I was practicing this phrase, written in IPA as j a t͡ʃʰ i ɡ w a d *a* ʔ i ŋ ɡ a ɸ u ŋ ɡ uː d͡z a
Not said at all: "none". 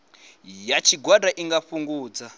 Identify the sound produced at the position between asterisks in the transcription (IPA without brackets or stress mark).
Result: a